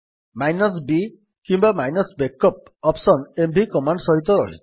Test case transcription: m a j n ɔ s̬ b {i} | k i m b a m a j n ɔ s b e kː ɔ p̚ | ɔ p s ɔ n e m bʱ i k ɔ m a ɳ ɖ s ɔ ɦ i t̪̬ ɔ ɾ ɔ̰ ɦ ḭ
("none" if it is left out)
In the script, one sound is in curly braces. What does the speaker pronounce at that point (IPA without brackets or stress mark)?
i